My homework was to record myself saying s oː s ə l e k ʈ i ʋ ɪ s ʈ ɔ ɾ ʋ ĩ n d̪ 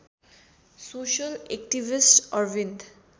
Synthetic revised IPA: s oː ʃ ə l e k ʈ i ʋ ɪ s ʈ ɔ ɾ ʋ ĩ n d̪